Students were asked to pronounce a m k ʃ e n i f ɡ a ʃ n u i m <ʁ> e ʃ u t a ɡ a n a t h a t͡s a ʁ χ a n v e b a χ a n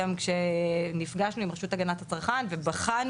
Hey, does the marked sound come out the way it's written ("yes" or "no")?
yes